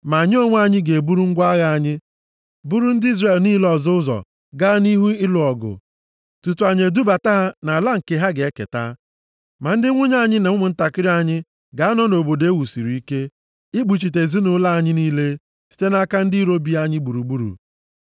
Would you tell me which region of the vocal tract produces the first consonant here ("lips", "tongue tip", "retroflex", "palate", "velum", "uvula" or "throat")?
lips